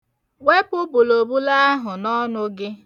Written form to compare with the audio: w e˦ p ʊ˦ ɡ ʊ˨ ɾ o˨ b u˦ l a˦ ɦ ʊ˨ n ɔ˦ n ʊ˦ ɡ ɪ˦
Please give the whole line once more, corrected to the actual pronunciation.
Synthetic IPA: w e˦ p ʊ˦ b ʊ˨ l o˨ b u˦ l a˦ ɦ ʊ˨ n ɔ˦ n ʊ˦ ɡ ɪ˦